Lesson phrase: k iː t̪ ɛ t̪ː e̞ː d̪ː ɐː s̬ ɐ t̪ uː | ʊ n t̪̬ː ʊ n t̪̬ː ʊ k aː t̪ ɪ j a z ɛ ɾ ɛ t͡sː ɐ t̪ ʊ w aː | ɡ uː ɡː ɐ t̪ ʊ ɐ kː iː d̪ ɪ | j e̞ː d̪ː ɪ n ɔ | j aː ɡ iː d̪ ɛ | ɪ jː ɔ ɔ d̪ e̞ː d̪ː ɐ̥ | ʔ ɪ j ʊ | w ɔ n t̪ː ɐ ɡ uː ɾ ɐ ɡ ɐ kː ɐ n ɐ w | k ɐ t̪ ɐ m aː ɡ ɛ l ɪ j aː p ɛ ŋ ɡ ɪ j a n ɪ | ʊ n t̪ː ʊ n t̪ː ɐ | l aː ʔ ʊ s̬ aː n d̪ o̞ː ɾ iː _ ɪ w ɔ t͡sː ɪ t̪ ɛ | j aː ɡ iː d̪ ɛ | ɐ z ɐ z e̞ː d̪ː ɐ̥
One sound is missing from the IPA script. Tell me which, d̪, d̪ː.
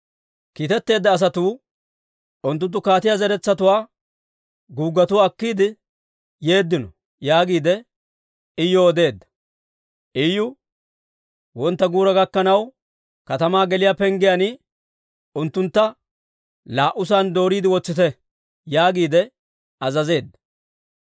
d̪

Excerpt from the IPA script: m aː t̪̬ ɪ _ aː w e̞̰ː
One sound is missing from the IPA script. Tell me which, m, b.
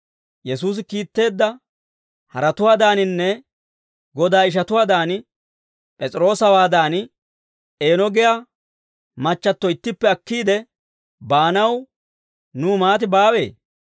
b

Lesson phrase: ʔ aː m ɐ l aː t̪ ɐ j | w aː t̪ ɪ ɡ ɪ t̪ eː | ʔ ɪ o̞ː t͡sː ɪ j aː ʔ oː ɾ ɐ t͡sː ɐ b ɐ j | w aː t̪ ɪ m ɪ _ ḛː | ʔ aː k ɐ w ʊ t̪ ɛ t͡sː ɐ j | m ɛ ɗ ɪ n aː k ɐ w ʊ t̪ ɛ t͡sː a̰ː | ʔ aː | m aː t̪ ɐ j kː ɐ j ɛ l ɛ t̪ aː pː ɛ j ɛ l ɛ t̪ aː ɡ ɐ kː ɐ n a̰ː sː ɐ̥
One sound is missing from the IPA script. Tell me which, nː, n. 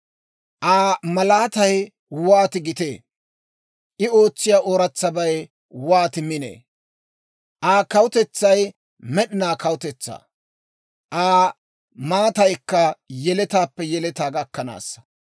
n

